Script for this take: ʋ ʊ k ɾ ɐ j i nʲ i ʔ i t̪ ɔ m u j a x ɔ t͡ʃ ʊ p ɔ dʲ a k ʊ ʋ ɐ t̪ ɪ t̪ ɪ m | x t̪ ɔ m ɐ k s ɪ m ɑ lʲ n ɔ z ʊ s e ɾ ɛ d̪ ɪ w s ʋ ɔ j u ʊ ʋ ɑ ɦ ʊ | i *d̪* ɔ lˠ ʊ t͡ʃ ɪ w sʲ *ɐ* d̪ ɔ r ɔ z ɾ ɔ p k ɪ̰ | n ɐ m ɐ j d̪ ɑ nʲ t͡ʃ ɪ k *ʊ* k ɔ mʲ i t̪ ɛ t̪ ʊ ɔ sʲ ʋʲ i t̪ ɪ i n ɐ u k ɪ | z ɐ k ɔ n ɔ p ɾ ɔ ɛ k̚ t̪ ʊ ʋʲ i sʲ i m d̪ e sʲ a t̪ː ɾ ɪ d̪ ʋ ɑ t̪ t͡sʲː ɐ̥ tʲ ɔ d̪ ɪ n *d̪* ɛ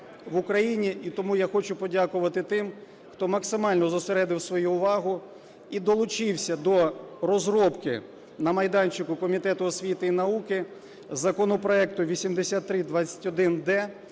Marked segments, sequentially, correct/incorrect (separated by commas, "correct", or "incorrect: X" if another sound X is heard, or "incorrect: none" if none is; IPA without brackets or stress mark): correct, correct, correct, correct